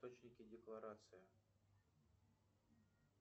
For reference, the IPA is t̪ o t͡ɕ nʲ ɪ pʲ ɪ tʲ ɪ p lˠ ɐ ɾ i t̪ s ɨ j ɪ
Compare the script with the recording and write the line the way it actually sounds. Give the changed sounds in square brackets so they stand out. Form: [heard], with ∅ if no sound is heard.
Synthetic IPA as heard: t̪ o t͡ɕ nʲ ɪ [kʲ] ɪ [dʲ] ɪ [k] lˠ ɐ ɾ [a] t̪ s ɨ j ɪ